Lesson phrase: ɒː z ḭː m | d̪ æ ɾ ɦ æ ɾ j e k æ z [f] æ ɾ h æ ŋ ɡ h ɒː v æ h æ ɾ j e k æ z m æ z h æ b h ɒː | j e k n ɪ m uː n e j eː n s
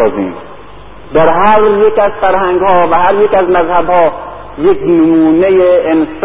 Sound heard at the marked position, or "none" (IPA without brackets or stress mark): f